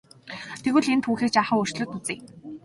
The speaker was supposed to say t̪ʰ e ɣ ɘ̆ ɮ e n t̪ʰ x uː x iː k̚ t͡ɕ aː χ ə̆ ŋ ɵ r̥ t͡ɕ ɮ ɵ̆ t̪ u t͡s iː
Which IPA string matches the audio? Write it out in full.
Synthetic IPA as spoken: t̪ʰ e ɣ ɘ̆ ɮ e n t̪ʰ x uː x iː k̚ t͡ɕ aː χ ə̆ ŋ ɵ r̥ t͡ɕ ɮ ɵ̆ t̪ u t͡s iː